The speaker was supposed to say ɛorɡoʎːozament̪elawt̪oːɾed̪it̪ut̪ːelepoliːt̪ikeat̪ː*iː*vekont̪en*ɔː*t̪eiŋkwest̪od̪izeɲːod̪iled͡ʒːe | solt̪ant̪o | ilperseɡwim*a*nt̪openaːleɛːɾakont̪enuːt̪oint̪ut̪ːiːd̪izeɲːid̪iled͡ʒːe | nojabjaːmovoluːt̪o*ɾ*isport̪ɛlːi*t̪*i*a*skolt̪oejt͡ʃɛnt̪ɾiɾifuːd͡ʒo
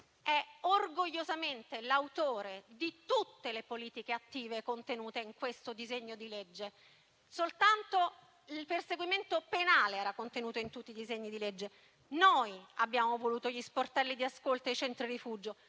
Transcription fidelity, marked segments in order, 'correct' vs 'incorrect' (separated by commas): correct, incorrect, incorrect, incorrect, incorrect, correct